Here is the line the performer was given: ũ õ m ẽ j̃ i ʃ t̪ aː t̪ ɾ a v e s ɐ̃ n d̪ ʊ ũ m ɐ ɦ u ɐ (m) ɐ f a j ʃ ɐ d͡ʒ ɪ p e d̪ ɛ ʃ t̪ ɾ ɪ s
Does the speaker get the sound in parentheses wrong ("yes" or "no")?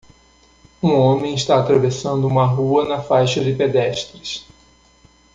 yes